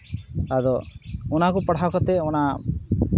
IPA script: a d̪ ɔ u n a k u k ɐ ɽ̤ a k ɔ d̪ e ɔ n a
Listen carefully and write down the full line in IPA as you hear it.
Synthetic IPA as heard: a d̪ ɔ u n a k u p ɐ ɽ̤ a k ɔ t̪ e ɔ n a